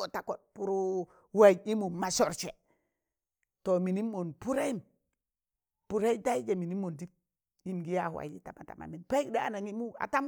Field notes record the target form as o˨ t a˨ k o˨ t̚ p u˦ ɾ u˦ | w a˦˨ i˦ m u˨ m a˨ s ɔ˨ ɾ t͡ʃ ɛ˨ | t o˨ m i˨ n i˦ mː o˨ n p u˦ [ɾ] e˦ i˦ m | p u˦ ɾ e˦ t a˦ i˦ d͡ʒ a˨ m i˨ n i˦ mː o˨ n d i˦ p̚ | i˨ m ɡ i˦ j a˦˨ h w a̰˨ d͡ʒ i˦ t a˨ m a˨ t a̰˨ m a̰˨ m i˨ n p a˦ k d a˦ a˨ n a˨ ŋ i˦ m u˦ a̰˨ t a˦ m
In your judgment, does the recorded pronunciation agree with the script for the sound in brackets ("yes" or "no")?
yes